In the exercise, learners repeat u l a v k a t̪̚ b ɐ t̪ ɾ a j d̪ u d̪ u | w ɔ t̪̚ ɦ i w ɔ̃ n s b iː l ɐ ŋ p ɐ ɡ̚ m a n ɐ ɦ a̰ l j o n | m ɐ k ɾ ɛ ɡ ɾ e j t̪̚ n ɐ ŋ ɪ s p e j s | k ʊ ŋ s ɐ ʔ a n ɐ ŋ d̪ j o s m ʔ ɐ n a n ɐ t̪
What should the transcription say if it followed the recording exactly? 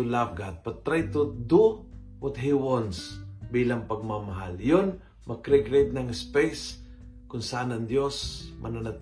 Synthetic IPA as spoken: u l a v ɡ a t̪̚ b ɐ t̪ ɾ a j t̪ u d̪ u | w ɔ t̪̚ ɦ i w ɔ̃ n s b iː l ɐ ŋ p ɐ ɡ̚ m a m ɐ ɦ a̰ l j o n | m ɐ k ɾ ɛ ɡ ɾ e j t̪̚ n ɐ ŋ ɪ s p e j s | k ʊ n s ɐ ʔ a n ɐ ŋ d̪ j o s m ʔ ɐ n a n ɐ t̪